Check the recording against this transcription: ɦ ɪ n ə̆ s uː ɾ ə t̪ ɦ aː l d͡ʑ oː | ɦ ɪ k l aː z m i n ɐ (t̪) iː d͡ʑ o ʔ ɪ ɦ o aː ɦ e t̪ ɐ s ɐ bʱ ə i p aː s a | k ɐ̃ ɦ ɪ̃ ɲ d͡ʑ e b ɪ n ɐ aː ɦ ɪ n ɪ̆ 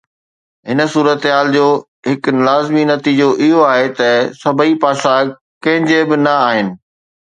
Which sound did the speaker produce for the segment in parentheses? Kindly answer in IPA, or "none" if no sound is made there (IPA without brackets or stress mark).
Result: t̪